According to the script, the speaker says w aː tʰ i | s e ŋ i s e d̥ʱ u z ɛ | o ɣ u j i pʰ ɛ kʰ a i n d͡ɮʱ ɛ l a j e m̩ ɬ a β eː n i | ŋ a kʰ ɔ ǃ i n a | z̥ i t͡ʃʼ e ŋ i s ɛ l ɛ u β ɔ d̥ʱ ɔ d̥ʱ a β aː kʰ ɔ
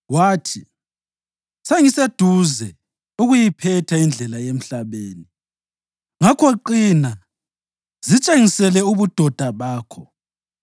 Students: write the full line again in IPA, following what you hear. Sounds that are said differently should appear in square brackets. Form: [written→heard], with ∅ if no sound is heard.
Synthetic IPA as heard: w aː tʰ i | s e ŋ i s e d̥ʱ u z ɛ | [o→u] ɣ u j i pʰ ɛ [kʰ→tʰ] a i n d͡ɮʱ ɛ l a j e m̩ ɬ a β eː n i | ŋ a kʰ ɔ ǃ i n a | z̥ i t͡ʃʼ e ŋ i s ɛ l ɛ u β [ɔ→u] d̥ʱ ɔ d̥ʱ a β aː kʰ ɔ

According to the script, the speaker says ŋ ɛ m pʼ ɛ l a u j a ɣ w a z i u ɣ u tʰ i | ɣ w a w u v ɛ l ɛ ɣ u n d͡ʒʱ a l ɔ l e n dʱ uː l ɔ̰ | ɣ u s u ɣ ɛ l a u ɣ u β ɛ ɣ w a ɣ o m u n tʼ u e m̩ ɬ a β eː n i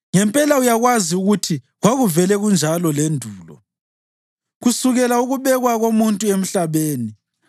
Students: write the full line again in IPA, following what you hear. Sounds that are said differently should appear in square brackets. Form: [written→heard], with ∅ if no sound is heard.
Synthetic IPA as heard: ŋ ɛ m pʼ ɛ l a u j a ɣ w a z i u ɣ u tʰ i | ɣ w a [w→ɣ] u v ɛ l ɛ ɣ u n d͡ʒʱ a l ɔ l e n dʱ uː l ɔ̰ | ɣ u s u ɣ ɛ l a u ɣ u β ɛ ɣ w a ɣ o m u n tʼ u e m̩ ɬ a β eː n i

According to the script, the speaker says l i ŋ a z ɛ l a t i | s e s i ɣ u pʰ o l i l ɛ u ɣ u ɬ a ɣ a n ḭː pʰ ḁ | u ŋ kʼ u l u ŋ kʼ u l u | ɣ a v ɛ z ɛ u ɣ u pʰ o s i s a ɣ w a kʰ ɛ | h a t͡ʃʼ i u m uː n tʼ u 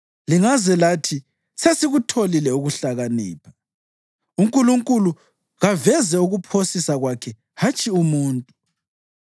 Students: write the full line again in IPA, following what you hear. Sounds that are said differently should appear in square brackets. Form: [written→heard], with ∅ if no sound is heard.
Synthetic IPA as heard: l i ŋ a z ɛ l a [t→tʰ] i | s e s i ɣ u [pʰ→tʰ] o l i l ɛ u ɣ u ɬ a ɣ a n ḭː pʰ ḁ | u ŋ kʼ u l u ŋ kʼ u l u | ɣ a v ɛ z ɛ u ɣ u pʰ o s i s a ɣ w a kʰ ɛ | h a t͡ʃʼ i u m uː n tʼ u

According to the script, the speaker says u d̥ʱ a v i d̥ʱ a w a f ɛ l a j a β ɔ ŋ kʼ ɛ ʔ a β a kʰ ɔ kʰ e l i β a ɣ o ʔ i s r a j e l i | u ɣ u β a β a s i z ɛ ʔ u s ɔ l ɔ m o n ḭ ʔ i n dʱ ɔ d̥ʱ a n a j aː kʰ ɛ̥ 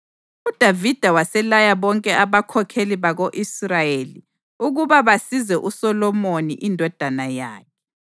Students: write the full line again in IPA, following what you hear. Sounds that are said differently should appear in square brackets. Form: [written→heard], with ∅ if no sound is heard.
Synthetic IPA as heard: u d̥ʱ a v i d̥ʱ a w a [f→s] ɛ l a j a β ɔ ŋ kʼ ɛ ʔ a β a kʰ ɔ kʰ e l i β a ɣ o ʔ i s r a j e l i | u ɣ u β a β a s i z ɛ ʔ u s ɔ l ɔ m o n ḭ ʔ i n dʱ ɔ d̥ʱ a n a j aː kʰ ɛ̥

